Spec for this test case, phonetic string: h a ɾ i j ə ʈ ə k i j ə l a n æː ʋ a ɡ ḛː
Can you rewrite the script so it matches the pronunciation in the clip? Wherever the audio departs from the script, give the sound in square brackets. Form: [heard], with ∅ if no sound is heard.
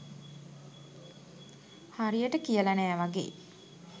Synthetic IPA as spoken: h a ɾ i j ə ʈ ə k i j ə l a n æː ʋ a ɡ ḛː